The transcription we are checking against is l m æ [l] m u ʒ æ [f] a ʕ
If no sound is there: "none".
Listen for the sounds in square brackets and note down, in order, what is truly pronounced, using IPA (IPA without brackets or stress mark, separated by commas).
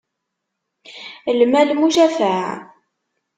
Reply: l, f